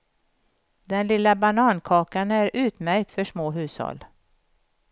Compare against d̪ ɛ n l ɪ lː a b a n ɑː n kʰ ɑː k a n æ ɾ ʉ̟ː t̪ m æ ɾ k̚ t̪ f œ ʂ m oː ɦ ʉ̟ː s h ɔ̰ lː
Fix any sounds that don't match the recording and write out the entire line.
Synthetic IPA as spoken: d̪ ɛ n l ɪ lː a b a n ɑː n kʰ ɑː k a n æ ɾ ʉ̟ː t̪ m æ ɾ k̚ t̪ f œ ʂ m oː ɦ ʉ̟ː s h ɔ̰ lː